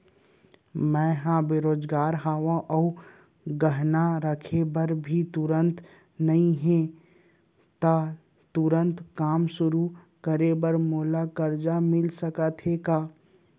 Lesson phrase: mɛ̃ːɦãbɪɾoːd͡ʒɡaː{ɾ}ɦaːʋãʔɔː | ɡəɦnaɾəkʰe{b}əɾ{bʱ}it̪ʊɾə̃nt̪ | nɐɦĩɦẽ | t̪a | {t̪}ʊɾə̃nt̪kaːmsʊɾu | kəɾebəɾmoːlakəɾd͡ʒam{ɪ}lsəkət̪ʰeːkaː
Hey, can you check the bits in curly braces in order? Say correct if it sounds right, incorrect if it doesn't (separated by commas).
correct, correct, correct, correct, correct